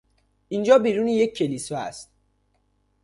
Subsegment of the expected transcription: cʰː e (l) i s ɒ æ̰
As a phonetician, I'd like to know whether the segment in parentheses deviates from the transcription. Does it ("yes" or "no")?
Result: no